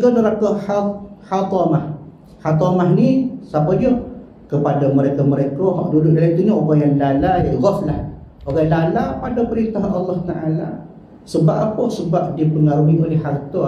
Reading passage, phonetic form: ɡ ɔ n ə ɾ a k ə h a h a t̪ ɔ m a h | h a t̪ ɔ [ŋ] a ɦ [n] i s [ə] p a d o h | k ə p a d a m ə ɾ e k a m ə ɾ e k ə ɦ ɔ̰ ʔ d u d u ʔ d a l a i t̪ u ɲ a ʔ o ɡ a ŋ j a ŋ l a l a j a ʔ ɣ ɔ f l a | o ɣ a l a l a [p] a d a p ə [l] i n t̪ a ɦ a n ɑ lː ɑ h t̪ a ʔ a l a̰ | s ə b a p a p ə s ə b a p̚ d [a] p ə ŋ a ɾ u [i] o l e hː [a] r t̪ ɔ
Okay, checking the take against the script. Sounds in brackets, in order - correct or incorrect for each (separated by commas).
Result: incorrect, correct, incorrect, correct, incorrect, incorrect, correct, correct